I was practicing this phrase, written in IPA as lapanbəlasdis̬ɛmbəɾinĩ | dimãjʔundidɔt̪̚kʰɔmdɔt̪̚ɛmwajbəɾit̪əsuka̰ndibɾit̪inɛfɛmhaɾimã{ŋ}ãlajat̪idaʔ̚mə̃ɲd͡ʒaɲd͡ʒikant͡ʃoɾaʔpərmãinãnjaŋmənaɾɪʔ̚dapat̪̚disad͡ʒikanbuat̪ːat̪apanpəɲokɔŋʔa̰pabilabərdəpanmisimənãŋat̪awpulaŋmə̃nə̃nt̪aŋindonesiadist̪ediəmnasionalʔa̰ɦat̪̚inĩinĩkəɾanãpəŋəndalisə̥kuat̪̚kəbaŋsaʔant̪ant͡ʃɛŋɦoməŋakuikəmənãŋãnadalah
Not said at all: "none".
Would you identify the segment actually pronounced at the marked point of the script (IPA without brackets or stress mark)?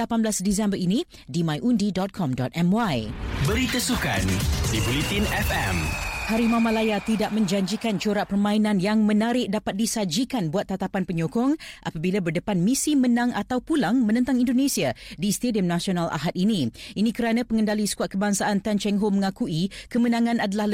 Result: m